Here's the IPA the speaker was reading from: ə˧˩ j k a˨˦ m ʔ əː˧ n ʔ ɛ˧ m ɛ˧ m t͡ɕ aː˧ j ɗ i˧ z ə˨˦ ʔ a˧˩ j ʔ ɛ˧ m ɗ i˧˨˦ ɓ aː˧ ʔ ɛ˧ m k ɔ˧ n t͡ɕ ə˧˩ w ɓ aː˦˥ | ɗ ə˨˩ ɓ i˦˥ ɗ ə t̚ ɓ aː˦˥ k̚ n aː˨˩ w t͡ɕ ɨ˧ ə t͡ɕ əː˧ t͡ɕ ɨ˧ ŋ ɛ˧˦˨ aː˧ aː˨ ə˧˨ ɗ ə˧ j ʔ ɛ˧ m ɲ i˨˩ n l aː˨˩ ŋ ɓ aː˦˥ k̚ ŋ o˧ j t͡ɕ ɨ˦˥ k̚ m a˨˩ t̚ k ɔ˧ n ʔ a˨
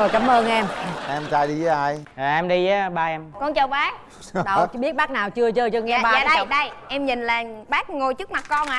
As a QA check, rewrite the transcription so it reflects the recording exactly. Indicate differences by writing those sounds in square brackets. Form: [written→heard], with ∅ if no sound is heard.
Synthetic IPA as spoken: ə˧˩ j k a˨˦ m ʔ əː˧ n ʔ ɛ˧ m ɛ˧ m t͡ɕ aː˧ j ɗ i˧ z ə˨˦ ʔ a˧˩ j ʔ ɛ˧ m ɗ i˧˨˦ ɓ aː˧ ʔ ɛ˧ m k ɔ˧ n t͡ɕ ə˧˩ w ɓ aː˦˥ | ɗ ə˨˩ ɓ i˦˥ [ɗ→∅] ə t̚ ɓ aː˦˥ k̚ n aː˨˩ w t͡ɕ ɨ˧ ə t͡ɕ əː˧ t͡ɕ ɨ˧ ŋ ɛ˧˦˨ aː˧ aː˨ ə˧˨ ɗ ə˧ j ʔ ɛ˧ m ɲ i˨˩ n l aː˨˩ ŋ ɓ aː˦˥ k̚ ŋ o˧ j t͡ɕ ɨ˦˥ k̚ m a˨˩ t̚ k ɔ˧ n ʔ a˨

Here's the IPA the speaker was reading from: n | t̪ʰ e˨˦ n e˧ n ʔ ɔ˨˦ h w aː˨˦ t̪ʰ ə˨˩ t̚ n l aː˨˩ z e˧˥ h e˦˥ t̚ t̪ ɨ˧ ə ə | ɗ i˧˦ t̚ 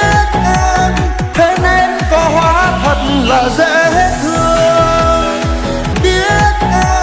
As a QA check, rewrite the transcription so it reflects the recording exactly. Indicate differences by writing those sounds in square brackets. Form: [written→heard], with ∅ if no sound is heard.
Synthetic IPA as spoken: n | t̪ʰ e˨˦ n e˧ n [ʔ→k] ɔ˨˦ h w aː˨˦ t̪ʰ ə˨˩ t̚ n l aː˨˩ z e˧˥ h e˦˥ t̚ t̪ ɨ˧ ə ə | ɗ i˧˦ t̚

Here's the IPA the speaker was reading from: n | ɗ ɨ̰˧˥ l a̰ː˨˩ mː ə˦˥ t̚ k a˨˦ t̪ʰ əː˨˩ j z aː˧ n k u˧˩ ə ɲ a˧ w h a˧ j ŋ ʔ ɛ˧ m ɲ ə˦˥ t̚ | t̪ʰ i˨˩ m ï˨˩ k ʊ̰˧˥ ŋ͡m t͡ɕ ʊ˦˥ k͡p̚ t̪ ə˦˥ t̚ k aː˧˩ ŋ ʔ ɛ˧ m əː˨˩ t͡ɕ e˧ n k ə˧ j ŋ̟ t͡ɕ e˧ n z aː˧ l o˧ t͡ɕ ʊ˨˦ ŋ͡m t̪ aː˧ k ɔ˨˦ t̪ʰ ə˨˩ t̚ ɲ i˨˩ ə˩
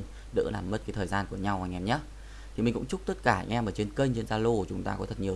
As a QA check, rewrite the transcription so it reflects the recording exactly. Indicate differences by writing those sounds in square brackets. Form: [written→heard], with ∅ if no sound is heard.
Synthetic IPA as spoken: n | ɗ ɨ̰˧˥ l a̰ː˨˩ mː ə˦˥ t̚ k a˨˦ t̪ʰ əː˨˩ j z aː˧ n k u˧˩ ə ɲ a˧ w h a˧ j ŋ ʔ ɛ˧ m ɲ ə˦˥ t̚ | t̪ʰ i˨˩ m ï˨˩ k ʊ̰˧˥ ŋ͡m t͡ɕ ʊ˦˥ k͡p̚ t̪ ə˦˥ t̚ k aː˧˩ ŋ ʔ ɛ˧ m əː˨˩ t͡ɕ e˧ n k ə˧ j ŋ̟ t͡ɕ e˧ n z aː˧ l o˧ t͡ɕ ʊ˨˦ ŋ͡m t̪ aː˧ k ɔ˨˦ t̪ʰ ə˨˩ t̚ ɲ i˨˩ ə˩

